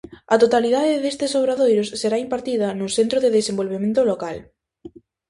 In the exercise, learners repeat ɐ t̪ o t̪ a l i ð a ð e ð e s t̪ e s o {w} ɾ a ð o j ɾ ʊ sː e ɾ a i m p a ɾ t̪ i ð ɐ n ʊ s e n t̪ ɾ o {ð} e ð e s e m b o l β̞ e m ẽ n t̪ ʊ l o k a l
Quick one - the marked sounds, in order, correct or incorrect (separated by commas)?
incorrect, correct